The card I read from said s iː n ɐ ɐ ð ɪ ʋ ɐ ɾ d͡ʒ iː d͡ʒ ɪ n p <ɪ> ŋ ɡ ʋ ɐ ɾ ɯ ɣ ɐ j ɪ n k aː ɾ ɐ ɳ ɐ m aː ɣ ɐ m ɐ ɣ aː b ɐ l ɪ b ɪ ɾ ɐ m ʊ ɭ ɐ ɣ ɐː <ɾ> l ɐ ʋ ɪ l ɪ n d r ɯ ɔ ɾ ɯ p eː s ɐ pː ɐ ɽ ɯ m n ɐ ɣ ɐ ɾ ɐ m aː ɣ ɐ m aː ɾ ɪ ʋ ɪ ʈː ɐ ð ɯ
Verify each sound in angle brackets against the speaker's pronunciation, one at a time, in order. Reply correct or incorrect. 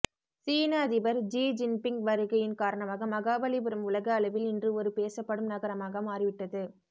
correct, incorrect

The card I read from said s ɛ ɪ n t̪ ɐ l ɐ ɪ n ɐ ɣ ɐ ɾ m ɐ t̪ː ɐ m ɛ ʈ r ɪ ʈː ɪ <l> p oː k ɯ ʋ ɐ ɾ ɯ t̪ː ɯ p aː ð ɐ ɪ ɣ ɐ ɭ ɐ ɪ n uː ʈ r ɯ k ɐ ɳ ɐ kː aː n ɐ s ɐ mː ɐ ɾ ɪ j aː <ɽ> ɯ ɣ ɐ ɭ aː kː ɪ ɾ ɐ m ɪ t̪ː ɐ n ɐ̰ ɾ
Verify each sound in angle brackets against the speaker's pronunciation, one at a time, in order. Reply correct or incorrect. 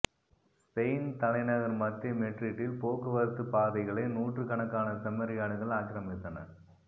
correct, correct

